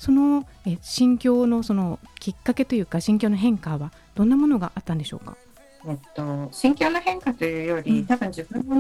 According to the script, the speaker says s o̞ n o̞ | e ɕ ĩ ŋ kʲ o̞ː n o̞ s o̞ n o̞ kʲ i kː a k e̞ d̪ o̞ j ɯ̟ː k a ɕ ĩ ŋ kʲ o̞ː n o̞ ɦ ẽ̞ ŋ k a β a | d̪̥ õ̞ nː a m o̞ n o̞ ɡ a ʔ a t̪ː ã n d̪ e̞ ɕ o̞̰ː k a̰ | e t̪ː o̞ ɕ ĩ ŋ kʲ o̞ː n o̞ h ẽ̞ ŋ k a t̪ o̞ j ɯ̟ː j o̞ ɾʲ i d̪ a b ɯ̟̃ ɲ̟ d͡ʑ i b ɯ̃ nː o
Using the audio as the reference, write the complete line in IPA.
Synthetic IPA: s o̞ n o̞ | e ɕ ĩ ŋ kʲ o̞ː n o̞ s o̞ n o̞ kʲ i kː a k e̞ t̪ o̞ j ɯ̟ː k a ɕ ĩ ŋ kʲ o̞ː n o̞ ɦ ẽ̞ ŋ k a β a | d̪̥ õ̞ nː a m o̞ n o̞ ɡ a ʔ a t̪ː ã n d̪ e̞ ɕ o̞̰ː k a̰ | e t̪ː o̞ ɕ ĩ ŋ kʲ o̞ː n o̞ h ẽ̞ ŋ k a t̪ o̞ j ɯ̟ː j o̞ ɾʲ i t̪ a b ɯ̟̃ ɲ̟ d͡ʑ i b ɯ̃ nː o